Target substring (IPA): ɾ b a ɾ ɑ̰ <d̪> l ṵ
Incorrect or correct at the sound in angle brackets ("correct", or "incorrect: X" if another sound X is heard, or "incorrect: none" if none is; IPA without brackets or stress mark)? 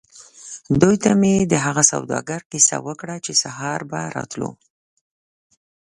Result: incorrect: t̪